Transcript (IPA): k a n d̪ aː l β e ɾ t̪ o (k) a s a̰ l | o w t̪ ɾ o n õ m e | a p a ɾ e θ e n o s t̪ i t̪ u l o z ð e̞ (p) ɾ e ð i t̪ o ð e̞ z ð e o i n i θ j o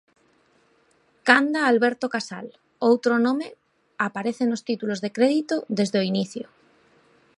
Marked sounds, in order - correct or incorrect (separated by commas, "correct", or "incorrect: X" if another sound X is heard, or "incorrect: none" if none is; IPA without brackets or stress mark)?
correct, incorrect: k